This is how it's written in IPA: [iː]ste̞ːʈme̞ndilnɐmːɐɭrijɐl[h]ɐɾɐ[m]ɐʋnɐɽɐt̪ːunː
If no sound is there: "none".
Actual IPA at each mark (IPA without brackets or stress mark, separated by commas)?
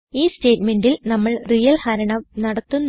iː, h, ɳ